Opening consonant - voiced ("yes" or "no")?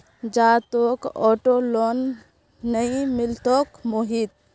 yes